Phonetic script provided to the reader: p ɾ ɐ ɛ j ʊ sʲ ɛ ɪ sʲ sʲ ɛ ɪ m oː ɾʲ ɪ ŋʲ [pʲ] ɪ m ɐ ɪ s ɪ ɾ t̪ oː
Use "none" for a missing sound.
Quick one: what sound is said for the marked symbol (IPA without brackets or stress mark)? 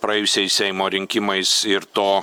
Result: kʲ